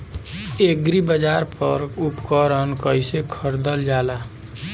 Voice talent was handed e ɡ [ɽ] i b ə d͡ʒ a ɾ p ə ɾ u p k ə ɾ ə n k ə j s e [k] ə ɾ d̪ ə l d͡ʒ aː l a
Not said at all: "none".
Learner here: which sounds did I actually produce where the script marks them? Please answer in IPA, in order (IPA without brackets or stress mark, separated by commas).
ɾ, kʰ